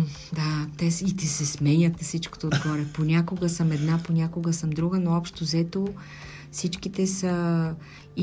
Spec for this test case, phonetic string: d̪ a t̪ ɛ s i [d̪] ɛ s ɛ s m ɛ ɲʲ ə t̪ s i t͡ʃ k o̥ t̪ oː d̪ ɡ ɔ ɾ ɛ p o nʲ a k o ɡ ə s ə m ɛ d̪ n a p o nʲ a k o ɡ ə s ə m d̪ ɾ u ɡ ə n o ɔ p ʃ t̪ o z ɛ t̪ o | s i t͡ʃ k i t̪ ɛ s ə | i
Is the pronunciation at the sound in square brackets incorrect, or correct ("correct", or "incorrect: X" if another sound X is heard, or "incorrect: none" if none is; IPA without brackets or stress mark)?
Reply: incorrect: t̪